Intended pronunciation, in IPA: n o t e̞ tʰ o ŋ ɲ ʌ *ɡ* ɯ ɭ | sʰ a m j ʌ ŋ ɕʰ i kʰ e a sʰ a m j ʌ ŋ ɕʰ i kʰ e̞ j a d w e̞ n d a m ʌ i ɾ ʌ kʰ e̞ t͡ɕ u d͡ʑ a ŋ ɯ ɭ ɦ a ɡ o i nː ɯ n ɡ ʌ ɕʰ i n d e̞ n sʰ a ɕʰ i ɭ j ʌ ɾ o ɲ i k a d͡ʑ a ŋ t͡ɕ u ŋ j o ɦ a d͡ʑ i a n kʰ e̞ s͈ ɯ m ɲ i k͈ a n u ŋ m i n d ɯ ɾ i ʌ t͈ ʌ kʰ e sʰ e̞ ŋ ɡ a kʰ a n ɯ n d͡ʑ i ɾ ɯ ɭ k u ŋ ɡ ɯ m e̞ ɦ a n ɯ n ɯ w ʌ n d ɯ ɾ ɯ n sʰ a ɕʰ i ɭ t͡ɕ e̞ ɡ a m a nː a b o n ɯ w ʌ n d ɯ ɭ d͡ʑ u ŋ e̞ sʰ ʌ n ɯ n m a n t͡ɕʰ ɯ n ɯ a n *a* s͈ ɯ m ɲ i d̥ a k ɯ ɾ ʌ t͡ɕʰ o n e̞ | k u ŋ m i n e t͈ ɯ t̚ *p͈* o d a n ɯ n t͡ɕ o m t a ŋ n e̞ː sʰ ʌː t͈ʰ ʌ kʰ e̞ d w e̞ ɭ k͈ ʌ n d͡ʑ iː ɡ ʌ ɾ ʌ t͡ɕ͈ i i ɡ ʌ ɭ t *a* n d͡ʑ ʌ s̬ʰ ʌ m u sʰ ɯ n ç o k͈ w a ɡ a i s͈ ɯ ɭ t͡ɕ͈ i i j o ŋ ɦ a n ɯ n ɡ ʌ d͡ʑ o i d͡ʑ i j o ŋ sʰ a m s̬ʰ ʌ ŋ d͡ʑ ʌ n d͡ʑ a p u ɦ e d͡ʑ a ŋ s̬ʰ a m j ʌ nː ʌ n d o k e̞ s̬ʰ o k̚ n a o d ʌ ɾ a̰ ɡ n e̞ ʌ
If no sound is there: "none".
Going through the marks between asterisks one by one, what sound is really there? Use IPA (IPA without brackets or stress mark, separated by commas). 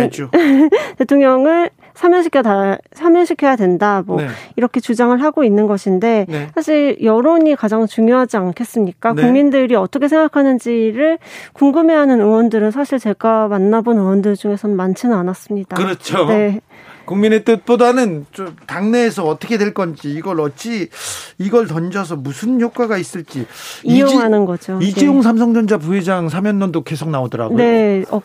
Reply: ŋ, a, p͈, ʌ